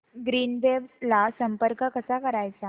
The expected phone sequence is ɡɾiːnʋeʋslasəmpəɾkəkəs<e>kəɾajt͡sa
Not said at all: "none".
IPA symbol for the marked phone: a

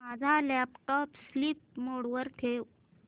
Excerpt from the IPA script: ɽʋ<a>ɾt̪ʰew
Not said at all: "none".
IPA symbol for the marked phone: ə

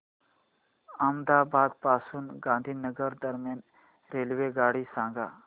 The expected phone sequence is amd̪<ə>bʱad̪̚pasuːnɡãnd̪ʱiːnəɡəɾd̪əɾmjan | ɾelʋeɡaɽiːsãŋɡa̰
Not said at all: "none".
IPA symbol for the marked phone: a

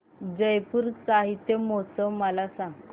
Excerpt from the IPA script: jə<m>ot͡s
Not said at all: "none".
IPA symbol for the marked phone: m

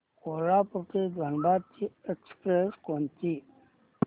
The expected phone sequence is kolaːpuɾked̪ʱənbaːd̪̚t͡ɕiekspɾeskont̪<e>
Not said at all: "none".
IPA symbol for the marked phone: i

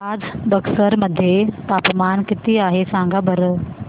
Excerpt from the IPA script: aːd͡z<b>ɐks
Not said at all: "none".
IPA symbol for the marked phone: b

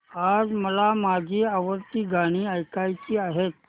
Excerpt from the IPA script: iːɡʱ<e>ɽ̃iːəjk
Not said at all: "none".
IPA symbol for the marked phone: a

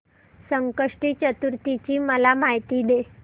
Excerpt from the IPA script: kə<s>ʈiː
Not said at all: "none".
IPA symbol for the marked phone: ʂ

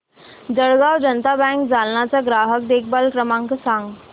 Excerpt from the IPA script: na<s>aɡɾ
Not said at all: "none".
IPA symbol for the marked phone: t͡s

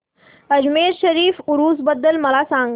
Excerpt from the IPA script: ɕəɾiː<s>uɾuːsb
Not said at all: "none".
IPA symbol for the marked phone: f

